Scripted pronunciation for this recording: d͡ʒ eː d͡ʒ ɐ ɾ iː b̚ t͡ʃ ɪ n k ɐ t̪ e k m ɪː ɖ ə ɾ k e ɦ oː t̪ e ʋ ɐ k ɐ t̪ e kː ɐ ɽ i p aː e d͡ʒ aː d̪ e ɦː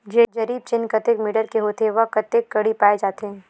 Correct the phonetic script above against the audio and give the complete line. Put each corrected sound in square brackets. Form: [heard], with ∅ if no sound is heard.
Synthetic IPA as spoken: d͡ʒ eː d͡ʒ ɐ ɾ iː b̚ t͡ʃ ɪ n k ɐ t̪ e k m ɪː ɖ ə ɾ k e ɦ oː t̪ e ʋ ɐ k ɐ t̪ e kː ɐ ɽ i p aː e d͡ʒ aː [t̪] e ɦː